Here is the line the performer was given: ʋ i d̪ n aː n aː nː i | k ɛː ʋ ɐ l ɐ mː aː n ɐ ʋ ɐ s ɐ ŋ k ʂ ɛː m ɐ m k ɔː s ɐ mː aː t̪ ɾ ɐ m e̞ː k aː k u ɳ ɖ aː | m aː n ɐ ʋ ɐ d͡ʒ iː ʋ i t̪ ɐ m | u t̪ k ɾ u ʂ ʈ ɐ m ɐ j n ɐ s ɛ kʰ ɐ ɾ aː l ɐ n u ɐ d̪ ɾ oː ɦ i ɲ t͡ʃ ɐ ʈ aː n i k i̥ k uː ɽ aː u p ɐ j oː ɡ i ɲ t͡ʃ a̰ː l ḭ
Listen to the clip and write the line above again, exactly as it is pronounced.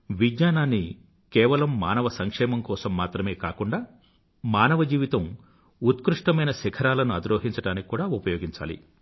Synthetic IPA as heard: ʋ i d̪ ɲ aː n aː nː i | k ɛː ʋ ɐ l ɐ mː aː n ɐ ʋ ɐ s ɐ ŋ k ʂ ɛː m ɐ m k ɔː s ɐ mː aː t̪ ɾ ɐ m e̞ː k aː k u ɳ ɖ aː | m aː n ɐ ʋ ɐ d͡ʒ iː ʋ i t̪ ɐ m | u t̪ k ɾ u ʂ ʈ ɐ m ɐ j n ɐ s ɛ kʰ ɐ ɾ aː l ɐ n u ɐ d̪ ɾ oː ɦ i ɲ t͡ʃ ɐ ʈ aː n i k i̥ k uː ɽ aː u p ɐ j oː ɡ i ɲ t͡ʃ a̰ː l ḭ